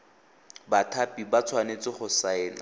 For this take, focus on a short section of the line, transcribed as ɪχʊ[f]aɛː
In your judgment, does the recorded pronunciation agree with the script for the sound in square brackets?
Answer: no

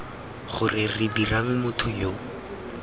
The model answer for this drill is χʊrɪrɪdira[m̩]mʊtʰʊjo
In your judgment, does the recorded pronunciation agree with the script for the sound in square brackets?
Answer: no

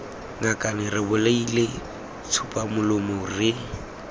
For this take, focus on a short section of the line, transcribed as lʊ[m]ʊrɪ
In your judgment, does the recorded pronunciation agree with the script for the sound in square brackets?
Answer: yes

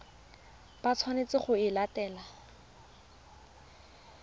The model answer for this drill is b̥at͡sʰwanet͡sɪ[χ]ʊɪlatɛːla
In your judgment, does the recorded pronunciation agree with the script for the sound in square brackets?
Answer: yes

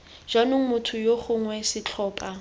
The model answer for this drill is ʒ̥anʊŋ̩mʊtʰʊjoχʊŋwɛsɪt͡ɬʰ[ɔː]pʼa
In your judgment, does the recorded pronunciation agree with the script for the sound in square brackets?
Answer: yes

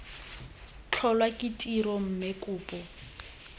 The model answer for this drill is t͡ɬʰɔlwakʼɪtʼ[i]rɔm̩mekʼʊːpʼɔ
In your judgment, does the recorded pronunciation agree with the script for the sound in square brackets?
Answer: yes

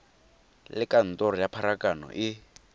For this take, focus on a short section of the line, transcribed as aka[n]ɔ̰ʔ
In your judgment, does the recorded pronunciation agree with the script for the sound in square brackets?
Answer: yes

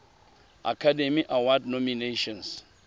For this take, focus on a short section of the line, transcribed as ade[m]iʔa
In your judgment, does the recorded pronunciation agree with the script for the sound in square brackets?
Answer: yes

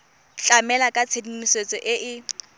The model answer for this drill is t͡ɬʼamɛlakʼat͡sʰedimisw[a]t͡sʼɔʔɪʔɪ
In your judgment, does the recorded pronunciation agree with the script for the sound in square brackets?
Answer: no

